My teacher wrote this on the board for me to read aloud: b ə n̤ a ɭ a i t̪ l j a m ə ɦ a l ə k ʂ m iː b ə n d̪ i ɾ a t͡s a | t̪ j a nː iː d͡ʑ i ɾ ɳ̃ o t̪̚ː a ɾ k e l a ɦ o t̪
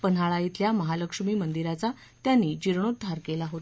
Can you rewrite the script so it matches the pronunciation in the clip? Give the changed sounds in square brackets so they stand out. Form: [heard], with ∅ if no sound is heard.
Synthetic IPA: [p] ə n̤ a ɭ a i t̪ l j a m ə ɦ a l ə k ʂ m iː [m] ə n d̪ i ɾ a t͡s a | t̪ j a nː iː d͡ʑ i ɾ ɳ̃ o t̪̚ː a ɾ k e l a ɦ o t̪